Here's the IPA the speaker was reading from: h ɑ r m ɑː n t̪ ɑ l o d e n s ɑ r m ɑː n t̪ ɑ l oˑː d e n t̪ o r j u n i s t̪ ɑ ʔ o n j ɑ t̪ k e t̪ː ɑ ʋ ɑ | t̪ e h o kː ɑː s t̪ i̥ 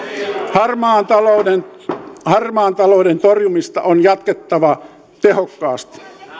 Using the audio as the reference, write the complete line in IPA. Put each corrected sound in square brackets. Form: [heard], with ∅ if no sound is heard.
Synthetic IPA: h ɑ r m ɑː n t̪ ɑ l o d e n [h] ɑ r m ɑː n t̪ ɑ l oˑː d e n t̪ o r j u [m] i s t̪ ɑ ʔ o n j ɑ t̪ k e t̪ː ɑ ʋ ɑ | t̪ e h o kː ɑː s t̪ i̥